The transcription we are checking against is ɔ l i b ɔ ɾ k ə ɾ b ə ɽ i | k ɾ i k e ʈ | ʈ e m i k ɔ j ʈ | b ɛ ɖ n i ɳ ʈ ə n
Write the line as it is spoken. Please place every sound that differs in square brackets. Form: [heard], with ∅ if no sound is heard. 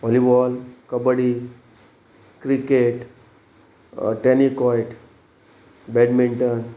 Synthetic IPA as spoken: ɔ l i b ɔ [l] k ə [∅] b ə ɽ i | k ɾ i k e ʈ | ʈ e [n] i k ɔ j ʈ | b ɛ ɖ [m] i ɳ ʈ ə n